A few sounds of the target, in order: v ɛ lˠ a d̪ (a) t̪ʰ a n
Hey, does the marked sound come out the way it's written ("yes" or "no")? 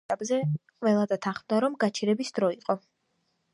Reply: yes